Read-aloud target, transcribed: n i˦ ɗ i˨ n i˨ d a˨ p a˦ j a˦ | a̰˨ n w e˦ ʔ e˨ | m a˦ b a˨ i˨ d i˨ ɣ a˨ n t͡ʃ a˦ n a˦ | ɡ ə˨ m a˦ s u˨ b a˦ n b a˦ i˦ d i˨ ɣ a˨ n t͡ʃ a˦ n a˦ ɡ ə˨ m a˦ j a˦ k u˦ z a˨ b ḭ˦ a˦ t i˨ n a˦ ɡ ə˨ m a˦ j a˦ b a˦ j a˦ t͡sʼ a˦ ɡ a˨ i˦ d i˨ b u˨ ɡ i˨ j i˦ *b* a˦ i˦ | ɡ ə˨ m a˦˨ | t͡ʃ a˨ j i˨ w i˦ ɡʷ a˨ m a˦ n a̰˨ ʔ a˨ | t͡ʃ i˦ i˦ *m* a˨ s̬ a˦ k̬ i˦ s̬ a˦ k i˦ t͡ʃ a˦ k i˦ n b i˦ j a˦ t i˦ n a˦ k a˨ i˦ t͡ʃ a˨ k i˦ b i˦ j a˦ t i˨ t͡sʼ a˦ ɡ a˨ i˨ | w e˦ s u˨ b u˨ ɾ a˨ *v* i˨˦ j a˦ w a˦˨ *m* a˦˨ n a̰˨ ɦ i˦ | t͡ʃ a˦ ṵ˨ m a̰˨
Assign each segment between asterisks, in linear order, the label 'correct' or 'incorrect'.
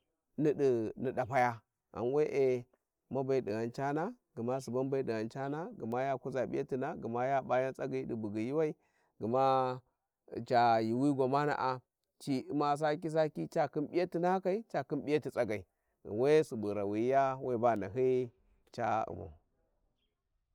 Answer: incorrect: w, correct, incorrect: w, incorrect: b

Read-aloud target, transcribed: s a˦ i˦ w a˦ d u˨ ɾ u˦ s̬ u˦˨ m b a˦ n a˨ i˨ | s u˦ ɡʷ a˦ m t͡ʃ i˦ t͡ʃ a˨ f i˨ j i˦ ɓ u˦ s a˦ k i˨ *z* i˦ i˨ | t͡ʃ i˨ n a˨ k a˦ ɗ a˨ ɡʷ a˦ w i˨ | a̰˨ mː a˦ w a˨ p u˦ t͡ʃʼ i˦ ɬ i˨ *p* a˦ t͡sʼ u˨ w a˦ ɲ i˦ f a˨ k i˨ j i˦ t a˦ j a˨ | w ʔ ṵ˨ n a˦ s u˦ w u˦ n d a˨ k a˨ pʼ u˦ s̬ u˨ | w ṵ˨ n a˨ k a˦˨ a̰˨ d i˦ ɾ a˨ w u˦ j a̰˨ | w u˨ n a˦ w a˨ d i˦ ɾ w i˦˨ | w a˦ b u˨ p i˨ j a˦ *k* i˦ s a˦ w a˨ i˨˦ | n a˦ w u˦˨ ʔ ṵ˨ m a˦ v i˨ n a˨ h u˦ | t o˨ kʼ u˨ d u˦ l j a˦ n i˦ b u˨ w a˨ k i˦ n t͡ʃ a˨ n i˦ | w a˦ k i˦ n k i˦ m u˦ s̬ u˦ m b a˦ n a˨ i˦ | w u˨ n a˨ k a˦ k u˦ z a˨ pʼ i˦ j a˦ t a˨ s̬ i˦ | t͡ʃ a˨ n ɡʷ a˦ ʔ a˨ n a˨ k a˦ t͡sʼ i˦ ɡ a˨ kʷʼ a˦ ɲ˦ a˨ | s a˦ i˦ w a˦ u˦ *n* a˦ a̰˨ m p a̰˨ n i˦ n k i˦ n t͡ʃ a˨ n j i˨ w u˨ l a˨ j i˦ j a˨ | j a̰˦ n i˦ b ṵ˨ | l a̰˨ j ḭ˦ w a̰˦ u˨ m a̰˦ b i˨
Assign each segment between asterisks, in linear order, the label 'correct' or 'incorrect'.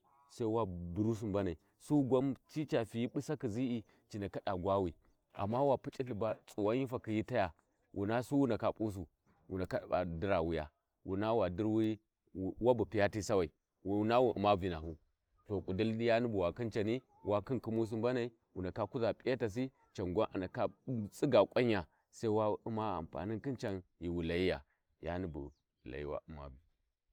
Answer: correct, incorrect: b, incorrect: t, incorrect: m

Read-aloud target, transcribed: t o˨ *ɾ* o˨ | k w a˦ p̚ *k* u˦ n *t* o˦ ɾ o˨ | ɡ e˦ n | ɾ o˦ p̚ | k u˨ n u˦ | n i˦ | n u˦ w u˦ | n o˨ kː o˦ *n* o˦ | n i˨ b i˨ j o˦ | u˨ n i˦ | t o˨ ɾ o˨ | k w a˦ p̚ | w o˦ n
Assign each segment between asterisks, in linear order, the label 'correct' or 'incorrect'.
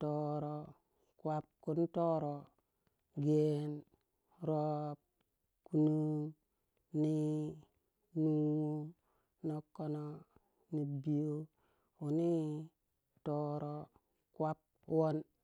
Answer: correct, correct, correct, correct

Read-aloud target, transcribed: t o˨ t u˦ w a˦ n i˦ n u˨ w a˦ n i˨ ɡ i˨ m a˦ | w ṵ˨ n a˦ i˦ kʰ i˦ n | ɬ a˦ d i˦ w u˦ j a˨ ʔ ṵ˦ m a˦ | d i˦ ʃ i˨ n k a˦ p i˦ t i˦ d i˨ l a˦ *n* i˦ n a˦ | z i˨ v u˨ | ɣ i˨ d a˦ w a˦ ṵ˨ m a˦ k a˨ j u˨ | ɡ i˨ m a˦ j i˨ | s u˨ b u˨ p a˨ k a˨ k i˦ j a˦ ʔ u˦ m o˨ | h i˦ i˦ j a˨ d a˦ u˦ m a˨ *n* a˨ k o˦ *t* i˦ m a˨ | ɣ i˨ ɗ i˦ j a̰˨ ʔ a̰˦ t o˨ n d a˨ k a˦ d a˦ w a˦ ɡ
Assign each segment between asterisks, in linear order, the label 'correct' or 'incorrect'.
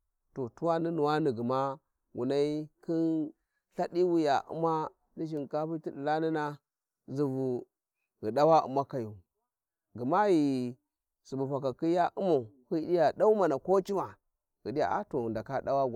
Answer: correct, correct, incorrect: t͡ʃ

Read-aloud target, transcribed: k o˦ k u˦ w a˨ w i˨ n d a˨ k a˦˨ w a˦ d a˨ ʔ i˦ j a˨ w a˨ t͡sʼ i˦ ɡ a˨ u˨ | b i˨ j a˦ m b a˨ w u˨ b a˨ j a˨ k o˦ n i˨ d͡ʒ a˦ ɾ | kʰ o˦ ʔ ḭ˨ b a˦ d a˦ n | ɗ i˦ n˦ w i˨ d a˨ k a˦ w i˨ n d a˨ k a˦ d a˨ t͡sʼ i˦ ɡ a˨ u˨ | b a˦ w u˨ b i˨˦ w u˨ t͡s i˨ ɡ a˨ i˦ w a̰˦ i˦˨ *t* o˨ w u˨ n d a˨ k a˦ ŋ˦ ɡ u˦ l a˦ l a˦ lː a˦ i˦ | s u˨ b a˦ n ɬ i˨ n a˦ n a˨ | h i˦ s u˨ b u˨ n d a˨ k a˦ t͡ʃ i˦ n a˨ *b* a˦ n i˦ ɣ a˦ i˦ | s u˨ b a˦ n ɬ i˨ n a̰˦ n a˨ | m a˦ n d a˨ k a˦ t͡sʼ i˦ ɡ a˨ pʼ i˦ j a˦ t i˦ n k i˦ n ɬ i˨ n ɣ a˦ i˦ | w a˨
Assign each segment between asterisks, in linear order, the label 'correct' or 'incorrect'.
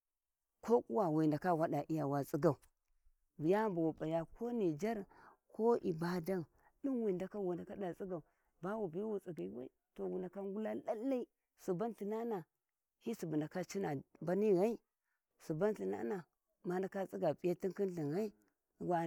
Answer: correct, correct

